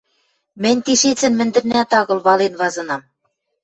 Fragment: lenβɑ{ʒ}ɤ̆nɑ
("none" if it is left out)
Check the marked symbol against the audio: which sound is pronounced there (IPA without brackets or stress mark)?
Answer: z